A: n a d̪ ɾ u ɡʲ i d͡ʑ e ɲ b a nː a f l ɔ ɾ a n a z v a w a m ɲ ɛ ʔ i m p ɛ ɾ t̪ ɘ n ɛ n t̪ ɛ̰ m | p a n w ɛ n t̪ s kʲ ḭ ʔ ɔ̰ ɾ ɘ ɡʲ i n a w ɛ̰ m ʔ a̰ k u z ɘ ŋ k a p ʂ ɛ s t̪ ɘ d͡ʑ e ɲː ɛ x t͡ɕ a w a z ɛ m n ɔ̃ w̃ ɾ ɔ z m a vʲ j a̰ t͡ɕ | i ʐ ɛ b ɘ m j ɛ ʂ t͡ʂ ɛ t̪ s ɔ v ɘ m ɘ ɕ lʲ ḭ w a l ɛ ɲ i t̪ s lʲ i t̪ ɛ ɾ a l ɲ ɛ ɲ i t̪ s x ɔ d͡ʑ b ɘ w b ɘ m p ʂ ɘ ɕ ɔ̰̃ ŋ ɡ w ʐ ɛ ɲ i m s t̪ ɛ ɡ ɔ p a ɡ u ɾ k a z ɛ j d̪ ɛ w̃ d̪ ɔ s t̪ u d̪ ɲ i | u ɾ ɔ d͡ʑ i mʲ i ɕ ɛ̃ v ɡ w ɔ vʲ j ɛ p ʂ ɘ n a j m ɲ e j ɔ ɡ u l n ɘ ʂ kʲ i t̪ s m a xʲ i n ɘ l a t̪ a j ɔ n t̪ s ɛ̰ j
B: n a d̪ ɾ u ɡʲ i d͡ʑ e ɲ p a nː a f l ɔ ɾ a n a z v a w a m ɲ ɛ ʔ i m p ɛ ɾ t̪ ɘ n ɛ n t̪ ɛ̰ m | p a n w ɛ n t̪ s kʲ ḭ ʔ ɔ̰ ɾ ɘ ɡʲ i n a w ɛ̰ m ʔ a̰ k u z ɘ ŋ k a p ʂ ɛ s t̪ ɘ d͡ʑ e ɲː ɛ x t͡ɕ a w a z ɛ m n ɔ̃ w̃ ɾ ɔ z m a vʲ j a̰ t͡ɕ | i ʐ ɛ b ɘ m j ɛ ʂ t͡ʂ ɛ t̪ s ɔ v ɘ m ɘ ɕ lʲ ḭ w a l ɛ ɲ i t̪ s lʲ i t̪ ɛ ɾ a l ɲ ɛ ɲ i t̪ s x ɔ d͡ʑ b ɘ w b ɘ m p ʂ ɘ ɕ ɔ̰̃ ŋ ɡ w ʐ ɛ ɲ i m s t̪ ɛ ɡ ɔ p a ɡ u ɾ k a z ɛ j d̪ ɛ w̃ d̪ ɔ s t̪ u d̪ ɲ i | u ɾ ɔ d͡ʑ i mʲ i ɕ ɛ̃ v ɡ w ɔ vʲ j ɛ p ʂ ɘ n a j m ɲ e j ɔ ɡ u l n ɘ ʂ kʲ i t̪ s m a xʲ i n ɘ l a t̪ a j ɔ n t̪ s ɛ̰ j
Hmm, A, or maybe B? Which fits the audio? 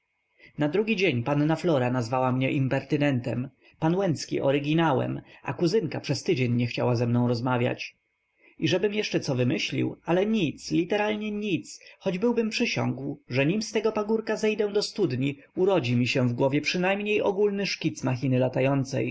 B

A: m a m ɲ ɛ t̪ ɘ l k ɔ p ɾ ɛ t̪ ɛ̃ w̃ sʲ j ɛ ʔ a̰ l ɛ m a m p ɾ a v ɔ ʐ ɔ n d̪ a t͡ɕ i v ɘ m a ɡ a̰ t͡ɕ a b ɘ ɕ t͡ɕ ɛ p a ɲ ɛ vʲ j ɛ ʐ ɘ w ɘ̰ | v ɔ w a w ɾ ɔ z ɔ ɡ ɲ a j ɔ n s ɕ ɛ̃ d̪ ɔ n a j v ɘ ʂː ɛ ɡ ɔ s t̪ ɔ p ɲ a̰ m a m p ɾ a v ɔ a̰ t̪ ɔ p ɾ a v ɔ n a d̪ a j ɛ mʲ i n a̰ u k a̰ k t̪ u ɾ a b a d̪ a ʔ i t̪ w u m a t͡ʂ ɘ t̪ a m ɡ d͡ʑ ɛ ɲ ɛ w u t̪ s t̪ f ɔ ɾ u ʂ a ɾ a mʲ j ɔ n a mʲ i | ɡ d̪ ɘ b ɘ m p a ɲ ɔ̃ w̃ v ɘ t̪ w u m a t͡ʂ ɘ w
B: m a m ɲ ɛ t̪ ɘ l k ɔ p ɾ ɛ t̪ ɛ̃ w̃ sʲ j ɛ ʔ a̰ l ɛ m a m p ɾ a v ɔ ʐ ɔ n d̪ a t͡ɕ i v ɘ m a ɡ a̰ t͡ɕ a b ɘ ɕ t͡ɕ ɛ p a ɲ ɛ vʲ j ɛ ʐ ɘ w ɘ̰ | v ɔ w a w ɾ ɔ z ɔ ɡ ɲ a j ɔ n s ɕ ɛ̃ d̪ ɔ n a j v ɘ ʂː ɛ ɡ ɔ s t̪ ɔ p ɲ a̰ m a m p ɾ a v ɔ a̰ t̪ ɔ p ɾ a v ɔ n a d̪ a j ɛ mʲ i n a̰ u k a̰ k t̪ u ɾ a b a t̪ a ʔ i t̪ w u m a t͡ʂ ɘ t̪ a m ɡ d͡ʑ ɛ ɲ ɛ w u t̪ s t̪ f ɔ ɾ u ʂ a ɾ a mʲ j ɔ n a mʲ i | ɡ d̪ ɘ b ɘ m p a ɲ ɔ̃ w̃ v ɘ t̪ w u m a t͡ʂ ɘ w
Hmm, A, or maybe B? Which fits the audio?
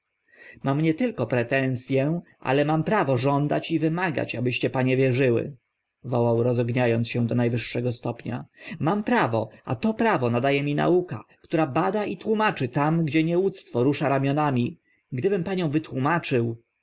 A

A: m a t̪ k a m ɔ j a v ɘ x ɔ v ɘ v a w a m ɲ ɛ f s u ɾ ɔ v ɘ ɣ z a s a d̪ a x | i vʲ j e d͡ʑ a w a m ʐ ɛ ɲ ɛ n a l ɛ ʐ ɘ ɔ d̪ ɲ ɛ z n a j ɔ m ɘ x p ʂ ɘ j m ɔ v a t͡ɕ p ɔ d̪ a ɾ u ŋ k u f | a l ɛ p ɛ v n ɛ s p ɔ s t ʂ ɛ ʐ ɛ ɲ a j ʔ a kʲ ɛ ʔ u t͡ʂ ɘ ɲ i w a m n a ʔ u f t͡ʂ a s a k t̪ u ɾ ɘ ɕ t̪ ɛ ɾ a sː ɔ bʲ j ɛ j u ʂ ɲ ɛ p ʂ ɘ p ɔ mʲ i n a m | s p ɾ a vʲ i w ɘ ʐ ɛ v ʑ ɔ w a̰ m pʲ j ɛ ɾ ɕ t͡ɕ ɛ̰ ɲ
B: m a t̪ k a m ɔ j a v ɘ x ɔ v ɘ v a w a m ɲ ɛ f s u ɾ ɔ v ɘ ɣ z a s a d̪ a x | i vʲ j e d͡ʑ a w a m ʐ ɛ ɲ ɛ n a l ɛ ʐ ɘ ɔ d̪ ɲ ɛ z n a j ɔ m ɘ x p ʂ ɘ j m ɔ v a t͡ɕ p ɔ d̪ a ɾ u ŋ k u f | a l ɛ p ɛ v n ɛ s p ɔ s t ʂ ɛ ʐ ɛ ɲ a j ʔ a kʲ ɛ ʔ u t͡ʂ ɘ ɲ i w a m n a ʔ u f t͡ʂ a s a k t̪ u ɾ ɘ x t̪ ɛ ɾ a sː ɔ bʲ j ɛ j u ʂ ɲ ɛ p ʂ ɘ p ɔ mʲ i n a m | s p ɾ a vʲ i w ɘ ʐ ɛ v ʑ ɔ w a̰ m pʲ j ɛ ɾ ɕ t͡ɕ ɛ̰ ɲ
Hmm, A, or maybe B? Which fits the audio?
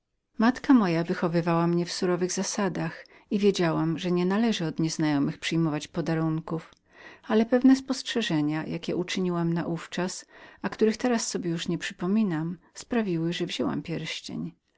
B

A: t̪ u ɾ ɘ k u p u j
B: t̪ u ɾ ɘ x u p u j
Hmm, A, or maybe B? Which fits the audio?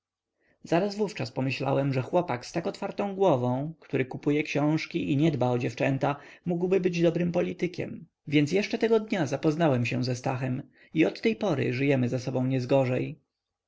A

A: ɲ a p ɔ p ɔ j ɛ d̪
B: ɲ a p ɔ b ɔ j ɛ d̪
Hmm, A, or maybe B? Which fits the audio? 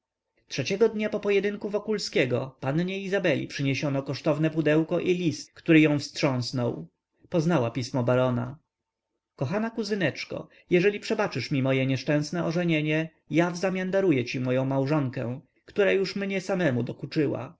A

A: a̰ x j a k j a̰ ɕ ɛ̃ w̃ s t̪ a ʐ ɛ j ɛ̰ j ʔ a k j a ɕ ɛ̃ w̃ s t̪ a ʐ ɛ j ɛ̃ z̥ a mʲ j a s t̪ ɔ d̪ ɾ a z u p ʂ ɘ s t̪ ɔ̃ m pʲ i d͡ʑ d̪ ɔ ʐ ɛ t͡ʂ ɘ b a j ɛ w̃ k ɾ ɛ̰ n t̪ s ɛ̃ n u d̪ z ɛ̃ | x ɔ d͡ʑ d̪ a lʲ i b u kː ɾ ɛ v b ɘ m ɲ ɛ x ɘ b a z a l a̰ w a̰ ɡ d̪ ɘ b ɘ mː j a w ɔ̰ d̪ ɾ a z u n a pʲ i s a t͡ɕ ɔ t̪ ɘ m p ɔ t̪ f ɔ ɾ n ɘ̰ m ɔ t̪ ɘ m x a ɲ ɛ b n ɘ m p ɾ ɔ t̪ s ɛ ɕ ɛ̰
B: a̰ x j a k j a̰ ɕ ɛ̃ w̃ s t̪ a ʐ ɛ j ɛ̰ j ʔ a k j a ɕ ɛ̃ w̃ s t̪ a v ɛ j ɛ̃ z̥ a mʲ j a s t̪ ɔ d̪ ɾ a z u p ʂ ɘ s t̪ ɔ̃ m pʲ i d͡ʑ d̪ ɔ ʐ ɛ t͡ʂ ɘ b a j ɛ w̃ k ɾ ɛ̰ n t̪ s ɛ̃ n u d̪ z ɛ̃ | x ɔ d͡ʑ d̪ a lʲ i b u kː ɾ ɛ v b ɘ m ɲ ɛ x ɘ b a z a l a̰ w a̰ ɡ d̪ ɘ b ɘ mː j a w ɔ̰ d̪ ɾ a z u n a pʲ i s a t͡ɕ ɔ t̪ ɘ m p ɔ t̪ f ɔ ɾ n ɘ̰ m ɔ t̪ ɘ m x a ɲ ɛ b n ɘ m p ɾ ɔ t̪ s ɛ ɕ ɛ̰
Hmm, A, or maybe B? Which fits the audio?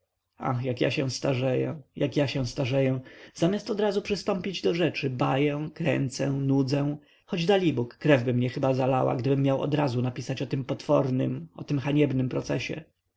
A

